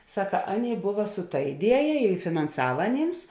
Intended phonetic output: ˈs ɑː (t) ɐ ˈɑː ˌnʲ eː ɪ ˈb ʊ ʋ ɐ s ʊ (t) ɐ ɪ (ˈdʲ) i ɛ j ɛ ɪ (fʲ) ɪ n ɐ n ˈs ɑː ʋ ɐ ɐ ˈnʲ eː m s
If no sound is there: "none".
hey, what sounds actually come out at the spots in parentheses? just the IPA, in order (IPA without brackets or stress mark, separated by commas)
k, t, dʲ, fʲ